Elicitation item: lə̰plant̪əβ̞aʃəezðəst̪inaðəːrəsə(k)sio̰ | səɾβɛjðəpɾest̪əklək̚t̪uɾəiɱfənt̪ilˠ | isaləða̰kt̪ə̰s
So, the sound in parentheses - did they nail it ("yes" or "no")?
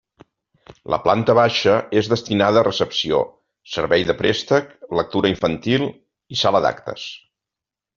no